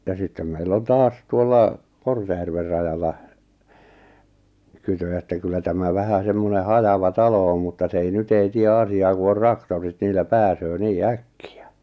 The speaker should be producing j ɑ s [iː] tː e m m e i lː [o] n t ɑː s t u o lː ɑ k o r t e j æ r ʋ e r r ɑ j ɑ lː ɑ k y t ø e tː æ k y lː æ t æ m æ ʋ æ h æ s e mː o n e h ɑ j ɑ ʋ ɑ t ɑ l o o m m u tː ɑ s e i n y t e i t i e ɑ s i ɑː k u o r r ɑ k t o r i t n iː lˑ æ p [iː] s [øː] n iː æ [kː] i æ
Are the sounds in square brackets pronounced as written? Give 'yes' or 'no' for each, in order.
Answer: no, yes, no, yes, yes

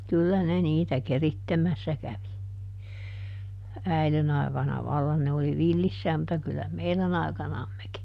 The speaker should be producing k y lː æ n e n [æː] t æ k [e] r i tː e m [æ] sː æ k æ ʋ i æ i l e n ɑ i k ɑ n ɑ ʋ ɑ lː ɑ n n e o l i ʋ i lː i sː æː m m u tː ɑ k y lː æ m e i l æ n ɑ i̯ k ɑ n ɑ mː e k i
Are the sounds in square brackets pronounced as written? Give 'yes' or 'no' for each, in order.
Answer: no, yes, yes

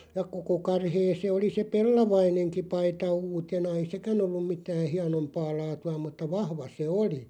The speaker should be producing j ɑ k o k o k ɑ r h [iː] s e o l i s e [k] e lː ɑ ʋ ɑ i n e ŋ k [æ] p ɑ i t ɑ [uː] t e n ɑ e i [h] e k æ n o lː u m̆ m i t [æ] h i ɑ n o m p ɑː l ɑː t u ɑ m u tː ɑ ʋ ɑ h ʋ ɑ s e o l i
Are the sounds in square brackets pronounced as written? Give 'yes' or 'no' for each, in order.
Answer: no, no, no, yes, no, no

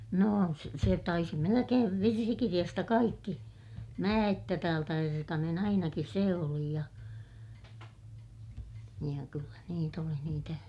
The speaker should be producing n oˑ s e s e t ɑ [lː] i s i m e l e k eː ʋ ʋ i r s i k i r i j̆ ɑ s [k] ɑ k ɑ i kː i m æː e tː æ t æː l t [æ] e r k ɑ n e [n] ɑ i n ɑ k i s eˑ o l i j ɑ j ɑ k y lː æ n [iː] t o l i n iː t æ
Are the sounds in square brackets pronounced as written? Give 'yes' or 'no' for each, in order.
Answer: no, no, yes, yes, yes

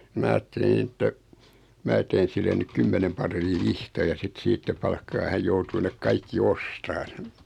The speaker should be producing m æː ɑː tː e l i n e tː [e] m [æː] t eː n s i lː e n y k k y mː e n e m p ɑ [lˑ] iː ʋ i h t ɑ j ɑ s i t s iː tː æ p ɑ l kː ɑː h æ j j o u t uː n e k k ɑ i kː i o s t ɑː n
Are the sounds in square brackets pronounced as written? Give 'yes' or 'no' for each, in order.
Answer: no, yes, no

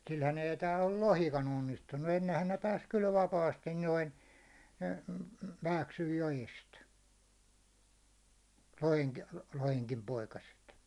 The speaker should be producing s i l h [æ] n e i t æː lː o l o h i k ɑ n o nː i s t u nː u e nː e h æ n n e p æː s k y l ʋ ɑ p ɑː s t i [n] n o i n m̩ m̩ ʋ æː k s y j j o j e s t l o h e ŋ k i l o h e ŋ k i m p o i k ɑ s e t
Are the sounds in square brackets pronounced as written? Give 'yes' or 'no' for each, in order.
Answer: yes, yes

